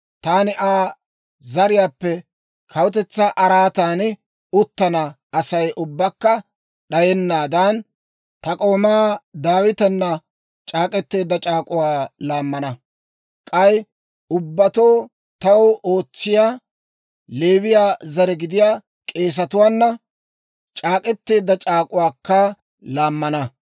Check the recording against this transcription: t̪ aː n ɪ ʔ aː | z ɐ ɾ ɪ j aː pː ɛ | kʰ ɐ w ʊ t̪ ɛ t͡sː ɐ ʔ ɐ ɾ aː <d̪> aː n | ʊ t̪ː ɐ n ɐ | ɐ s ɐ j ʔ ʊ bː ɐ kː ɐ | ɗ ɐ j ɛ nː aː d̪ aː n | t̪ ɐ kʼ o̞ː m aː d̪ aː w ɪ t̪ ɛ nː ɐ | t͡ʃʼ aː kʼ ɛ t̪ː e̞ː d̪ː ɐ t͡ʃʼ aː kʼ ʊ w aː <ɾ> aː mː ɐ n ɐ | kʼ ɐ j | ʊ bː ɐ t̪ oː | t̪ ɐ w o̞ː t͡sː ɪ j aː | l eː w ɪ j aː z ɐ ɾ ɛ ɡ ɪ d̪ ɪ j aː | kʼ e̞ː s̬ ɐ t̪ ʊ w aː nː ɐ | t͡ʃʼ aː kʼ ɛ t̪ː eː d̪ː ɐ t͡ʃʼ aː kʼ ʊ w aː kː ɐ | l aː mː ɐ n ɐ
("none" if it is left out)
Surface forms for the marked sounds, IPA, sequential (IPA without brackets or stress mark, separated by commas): t̪, l